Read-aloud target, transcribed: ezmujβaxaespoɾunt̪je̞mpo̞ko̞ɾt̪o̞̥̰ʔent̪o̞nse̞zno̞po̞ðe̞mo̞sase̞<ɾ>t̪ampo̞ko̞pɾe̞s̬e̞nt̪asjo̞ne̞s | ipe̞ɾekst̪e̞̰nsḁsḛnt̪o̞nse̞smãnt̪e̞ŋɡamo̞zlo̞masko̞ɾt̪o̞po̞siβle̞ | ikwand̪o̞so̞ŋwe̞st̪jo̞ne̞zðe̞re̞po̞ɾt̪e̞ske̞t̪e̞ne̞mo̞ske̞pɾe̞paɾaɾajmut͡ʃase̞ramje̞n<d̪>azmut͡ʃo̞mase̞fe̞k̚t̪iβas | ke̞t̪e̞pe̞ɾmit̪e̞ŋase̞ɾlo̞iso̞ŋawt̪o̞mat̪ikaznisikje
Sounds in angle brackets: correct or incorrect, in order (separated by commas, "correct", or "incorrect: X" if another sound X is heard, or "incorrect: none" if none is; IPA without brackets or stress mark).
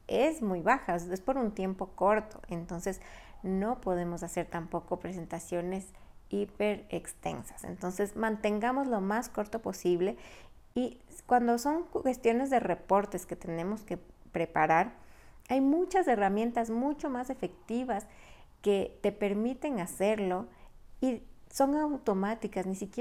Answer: correct, incorrect: t̪